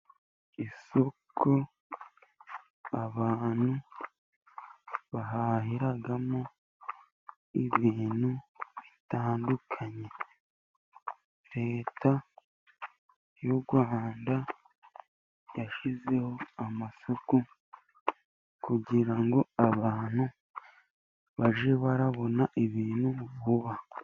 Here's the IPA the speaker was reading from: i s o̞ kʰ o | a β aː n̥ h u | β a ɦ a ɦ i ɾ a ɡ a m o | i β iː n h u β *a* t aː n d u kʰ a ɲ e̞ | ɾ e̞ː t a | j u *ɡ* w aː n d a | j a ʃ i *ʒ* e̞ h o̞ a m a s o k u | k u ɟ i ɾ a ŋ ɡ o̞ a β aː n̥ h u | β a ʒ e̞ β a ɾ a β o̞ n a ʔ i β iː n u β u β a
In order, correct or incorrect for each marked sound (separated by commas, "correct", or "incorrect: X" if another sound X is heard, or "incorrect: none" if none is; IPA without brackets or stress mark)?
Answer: incorrect: i, correct, incorrect: z